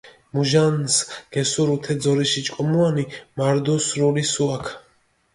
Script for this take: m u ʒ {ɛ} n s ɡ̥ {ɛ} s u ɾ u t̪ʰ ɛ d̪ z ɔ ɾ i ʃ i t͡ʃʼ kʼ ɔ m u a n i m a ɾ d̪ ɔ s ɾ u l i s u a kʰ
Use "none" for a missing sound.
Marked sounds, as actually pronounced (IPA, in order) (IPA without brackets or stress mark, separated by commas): a, ɛ